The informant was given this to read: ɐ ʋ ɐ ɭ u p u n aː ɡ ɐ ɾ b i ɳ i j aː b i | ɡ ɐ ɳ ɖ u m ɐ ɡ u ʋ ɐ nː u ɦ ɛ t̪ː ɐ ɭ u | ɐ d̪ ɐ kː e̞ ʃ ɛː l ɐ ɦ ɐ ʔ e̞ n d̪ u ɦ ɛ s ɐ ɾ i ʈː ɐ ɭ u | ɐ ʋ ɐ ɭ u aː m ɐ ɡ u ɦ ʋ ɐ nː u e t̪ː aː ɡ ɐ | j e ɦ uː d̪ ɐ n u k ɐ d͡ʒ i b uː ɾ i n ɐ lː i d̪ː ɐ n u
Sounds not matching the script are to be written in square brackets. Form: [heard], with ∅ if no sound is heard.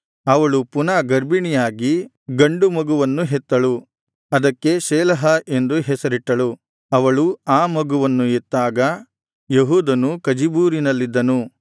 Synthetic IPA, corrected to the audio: ɐ ʋ ɐ ɭ u p u n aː ɡ ɐ ɾ b i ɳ i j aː [ɡ] i | ɡ ɐ ɳ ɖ u m ɐ ɡ u ʋ ɐ nː u ɦ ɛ t̪ː ɐ ɭ u | ɐ d̪ ɐ kː e̞ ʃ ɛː l ɐ ɦ ɐ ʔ e̞ n d̪ u ɦ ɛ s ɐ ɾ i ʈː ɐ ɭ u | ɐ ʋ ɐ ɭ u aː m ɐ ɡ u [∅] ʋ ɐ nː u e t̪ː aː ɡ ɐ | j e ɦ uː d̪ ɐ n u k ɐ d͡ʒ i b uː ɾ i n ɐ lː i d̪ː ɐ n u